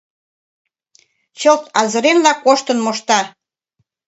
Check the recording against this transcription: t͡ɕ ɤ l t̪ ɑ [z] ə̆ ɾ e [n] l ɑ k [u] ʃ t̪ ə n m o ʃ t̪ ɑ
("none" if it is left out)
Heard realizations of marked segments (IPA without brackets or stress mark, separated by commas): z, n, o